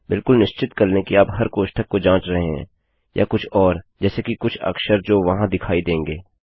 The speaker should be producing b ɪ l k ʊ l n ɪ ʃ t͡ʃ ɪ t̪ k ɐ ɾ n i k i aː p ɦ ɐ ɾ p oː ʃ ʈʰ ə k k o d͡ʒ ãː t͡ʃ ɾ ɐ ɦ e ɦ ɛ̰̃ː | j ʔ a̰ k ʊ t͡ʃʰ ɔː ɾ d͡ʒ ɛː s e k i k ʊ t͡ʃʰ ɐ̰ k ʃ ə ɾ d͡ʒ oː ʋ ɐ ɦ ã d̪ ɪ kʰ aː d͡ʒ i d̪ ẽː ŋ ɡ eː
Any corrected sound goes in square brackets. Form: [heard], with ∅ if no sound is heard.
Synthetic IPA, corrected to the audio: b ɪ l k ʊ l n ɪ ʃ t͡ʃ ɪ t̪ k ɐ ɾ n [e] k i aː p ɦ ɐ ɾ [k] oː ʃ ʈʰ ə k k o d͡ʒ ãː t͡ʃ ɾ ɐ ɦ e ɦ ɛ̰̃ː | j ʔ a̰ k ʊ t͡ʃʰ ɔː ɾ d͡ʒ ɛː s e k i k ʊ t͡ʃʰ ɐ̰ k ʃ ə ɾ d͡ʒ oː ʋ ɐ ɦ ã d̪ ɪ kʰ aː [∅] i d̪ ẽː ŋ ɡ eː